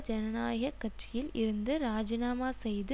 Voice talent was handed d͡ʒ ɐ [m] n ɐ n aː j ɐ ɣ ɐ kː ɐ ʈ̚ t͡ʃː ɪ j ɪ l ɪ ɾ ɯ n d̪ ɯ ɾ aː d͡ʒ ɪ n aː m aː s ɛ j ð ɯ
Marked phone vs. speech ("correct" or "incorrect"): incorrect